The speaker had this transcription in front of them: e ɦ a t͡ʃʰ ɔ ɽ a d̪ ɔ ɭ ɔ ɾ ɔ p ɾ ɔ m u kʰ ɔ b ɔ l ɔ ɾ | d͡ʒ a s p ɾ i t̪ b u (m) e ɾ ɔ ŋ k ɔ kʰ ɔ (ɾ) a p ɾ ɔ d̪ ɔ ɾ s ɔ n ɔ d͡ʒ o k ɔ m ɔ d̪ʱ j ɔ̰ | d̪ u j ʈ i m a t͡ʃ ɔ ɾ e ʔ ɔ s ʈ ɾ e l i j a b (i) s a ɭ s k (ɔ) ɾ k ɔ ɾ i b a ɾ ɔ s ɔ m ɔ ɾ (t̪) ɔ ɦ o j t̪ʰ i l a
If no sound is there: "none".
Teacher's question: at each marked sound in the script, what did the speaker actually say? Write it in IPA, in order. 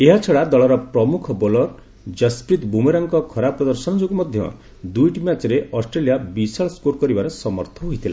m, ɾ, i, o, t̪ʰ

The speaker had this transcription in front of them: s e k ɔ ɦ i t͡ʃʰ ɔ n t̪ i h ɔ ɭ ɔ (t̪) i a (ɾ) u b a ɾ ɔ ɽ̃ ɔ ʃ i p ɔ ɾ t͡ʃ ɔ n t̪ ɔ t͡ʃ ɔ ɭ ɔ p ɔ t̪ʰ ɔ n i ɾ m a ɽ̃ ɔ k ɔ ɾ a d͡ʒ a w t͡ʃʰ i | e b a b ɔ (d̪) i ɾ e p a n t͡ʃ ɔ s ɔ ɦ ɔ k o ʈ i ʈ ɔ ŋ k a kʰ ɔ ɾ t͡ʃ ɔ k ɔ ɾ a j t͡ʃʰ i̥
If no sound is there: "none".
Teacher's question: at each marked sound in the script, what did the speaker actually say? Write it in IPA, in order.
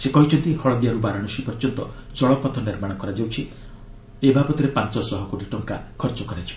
d̪, ɾ, t̪

